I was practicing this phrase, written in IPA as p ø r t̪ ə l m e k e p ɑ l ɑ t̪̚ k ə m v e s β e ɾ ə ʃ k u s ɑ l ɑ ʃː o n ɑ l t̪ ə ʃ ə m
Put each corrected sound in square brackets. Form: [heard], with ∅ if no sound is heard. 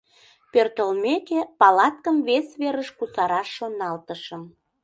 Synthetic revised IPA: p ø r t̪ ə l m e k e p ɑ l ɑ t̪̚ k ə m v e s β e ɾ ə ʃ k u s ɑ [ɾ] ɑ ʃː o n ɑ l t̪ ə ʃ ə m